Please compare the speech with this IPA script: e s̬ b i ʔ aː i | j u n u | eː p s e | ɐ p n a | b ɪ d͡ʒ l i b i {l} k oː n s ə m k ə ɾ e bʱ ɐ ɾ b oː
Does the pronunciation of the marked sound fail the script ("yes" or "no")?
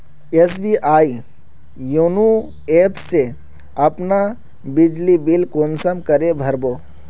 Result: no